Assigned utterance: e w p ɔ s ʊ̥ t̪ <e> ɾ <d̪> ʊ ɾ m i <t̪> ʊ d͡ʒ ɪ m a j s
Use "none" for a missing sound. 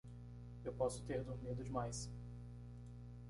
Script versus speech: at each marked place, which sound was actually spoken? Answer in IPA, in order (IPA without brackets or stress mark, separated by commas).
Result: e, d̪, d̪